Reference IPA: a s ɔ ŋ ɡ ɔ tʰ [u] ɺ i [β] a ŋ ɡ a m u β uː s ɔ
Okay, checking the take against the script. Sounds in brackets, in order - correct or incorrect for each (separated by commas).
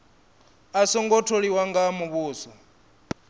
incorrect, incorrect